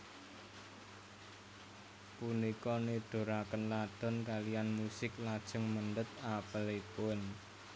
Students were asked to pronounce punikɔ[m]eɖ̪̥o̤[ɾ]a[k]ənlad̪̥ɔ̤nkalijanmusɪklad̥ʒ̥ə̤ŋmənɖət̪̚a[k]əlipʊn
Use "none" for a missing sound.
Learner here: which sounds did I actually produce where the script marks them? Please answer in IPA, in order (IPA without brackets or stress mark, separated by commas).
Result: n, ɾ, k, p